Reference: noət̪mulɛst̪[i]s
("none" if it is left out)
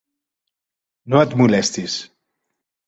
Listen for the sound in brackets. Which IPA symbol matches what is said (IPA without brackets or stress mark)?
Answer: i